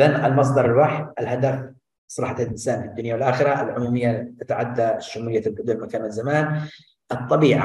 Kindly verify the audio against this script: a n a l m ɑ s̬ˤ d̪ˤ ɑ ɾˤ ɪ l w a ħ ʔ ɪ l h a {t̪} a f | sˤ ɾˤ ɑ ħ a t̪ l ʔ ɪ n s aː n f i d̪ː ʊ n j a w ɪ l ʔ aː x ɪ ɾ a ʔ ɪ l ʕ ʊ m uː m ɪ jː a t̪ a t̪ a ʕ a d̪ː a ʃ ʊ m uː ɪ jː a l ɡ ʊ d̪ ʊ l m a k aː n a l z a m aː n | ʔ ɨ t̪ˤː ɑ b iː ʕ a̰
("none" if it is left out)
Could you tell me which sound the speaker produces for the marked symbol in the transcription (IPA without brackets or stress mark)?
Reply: d̪